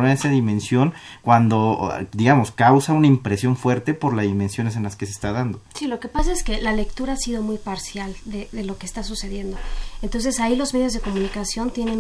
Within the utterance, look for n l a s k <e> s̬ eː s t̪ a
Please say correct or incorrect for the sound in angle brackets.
correct